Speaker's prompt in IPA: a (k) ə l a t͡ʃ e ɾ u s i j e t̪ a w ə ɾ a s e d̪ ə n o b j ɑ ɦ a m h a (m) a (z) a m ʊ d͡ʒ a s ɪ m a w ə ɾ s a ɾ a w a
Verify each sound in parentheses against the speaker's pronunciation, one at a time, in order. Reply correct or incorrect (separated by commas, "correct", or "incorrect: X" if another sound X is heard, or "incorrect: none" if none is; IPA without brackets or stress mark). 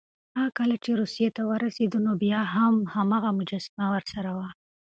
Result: correct, correct, incorrect: ɣ